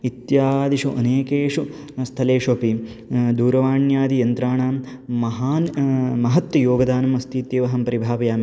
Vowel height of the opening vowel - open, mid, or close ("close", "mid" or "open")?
close